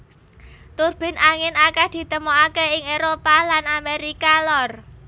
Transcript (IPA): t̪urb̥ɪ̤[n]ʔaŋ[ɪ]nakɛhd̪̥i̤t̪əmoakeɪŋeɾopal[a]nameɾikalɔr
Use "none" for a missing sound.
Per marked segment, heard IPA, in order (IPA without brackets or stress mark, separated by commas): n, ɪ, a